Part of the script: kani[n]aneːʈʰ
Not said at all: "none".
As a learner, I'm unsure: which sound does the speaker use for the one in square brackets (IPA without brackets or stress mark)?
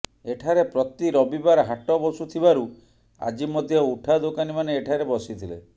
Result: m